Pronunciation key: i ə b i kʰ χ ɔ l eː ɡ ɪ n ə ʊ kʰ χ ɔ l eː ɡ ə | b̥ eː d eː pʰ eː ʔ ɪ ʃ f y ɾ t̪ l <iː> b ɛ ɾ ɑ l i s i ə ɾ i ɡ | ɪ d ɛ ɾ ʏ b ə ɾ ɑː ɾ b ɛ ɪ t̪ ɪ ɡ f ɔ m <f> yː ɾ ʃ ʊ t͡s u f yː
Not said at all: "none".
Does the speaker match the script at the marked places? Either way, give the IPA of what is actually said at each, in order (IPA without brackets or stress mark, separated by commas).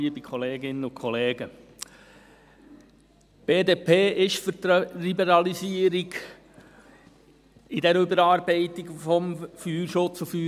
i, f